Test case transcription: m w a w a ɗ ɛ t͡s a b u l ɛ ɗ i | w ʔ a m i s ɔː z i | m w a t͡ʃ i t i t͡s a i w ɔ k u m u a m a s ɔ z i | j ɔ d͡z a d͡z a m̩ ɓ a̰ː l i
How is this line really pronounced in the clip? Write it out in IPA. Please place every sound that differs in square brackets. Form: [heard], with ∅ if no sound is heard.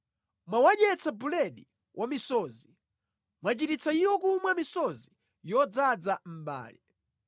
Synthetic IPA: m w a w a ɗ ɛ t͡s a b u l ɛ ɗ i | w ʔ a m i s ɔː z i | m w a t͡ʃ i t i t͡s a i w ɔ k u m [w] a m [i] s ɔ z i | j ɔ d͡z a d͡z a m̩ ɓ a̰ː l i

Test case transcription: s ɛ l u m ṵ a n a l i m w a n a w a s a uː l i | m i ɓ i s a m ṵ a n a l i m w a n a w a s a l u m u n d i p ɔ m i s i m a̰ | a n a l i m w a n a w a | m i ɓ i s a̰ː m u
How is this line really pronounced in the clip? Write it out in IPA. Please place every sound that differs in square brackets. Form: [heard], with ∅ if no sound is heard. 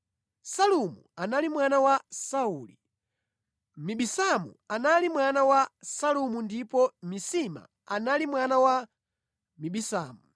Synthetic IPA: s [a] l u m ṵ a n a l i m w a n a w a s a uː l i | m i ɓ i s a m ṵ a n a l i m w a n a w a s a l u m u n d i p ɔ m i s i m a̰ | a n a l i m w a n a w a | m i ɓ i s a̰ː m u

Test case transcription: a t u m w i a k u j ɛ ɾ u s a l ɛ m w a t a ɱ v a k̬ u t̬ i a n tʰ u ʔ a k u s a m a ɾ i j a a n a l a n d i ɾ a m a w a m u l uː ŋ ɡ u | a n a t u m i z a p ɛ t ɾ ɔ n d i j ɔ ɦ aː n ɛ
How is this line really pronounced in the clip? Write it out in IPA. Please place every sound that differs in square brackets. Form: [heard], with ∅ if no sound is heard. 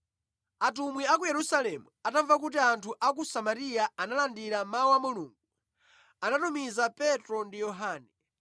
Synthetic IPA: a t u m w i a k u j ɛ ɾ u s a l ɛ m [u] a t a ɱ v a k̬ u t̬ i a n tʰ u ʔ a k u s a m a ɾ i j a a n a l a n d i ɾ a m a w a m u l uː ŋ ɡ u | a n a t u m i z a p ɛ t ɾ ɔ n d i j ɔ ɦ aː n ɛ

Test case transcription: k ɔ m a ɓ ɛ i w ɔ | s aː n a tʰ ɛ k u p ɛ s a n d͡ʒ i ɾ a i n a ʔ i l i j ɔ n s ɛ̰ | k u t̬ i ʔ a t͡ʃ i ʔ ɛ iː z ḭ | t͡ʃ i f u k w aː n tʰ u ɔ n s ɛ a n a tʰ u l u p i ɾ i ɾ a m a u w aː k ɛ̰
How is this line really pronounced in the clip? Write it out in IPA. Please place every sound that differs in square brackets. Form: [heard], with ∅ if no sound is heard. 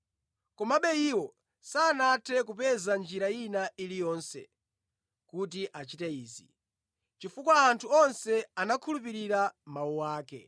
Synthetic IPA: k ɔ m a ɓ ɛ i w ɔ | s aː n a tʰ ɛ k u p ɛ [z] a n d͡ʒ i ɾ a i n a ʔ i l i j ɔ n s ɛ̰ | k u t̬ i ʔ a t͡ʃ i [t] ɛ iː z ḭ | t͡ʃ i f u k w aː n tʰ u ɔ n s ɛ a n a [kʰ] u l u p i ɾ i ɾ a m a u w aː k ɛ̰

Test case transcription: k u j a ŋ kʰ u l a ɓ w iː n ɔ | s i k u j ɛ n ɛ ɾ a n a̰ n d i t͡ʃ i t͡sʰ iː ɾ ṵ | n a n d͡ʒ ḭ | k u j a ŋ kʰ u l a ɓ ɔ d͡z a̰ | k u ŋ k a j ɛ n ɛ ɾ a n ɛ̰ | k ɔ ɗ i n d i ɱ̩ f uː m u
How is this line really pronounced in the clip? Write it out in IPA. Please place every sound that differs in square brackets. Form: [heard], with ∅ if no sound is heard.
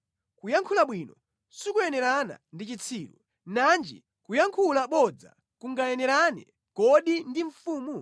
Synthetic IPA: k u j a ŋ kʰ u l a ɓ w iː n ɔ | s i k u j ɛ n ɛ ɾ a n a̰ n d i t͡ʃ i t͡sʰ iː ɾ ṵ | n a n d͡ʒ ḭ | k u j a ŋ kʰ u l a ɓ ɔ d͡z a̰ | k u ŋ [ɡ] a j ɛ n ɛ ɾ a n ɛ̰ | k ɔ ɗ i n d i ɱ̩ f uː m u

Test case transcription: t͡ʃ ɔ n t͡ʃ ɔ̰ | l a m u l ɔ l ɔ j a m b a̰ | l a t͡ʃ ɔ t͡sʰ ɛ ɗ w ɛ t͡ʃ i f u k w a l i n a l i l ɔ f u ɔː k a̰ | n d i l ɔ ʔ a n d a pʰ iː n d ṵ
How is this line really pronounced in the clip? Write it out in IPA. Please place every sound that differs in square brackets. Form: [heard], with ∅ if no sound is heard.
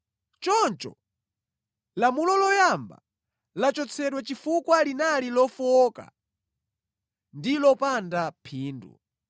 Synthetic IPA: t͡ʃ ɔ n t͡ʃ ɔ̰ | l a m u l ɔ l ɔ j a m b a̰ | l a t͡ʃ ɔ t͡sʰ ɛ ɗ w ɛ t͡ʃ i f u k w a l i n a l i l ɔ f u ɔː k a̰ | n d i l ɔ [p] a n d a pʰ iː n d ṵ

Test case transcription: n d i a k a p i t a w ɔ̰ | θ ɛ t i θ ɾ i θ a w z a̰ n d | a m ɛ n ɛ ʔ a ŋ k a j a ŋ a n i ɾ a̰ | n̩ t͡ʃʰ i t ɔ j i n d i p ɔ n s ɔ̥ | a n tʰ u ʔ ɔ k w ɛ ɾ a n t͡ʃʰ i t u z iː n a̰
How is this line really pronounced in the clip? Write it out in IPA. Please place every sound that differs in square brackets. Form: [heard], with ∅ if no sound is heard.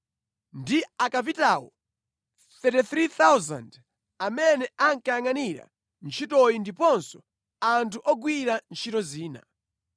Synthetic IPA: n d i a k a p i t a w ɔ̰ | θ ɛ t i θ ɾ i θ a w z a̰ n d | a m ɛ n ɛ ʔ a ŋ k a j a ŋ a n i ɾ a̰ | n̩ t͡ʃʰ i t ɔ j i n d i p ɔ n s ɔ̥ | a n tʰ u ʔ ɔ [ɡ] w [i] ɾ a n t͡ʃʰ i t [ɔ] z iː n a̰

